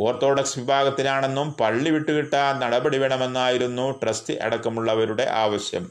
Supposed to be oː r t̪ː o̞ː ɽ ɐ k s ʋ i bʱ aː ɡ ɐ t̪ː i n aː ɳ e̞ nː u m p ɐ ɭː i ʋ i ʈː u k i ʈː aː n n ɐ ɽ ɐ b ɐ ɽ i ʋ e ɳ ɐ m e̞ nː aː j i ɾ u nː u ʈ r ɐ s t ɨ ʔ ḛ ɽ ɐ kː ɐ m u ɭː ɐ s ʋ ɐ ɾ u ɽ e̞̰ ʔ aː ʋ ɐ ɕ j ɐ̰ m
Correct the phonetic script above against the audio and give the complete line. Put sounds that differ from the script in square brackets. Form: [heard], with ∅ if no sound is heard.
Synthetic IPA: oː r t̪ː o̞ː ɽ ɐ k s ʋ i bʱ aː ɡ ɐ t̪ː i n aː ɳ e̞ nː u m p ɐ ɭː i ʋ i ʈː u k i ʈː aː n n ɐ ɽ ɐ b ɐ ɽ i ʋ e ɳ ɐ m e̞ nː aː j i ɾ u nː u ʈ r ɐ s t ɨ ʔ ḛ ɽ ɐ kː ɐ m u ɭː ɐ [∅] ʋ ɐ ɾ u ɽ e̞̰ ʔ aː ʋ ɐ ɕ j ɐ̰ m